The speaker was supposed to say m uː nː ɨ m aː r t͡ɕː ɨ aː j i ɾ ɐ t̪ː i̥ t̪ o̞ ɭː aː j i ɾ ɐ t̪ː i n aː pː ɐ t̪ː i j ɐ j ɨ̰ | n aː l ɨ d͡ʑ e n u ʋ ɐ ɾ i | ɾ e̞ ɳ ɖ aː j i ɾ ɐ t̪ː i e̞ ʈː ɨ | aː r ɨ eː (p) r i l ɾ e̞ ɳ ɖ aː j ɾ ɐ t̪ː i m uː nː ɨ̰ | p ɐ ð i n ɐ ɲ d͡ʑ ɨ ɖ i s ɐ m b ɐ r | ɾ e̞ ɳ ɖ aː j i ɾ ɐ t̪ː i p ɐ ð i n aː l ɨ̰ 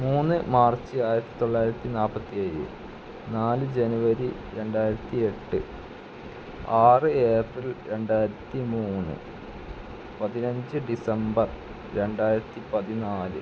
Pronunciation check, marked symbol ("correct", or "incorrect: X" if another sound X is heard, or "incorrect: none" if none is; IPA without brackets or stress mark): correct